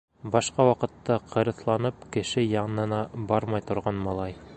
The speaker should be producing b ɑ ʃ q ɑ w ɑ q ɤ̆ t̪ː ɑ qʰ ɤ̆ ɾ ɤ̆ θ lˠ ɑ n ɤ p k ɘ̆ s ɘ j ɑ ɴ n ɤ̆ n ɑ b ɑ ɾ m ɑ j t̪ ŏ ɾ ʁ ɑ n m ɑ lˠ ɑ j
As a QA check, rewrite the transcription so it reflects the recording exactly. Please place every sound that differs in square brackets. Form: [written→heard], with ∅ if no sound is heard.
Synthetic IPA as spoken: b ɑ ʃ q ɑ w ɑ q ɤ̆ t̪ː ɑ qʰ ɤ̆ ɾ ɤ̆ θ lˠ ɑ n ɤ p k ɘ̆ [s→ʃ] ɘ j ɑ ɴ n ɤ̆ n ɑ b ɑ ɾ m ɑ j t̪ ŏ ɾ ʁ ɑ n m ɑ lˠ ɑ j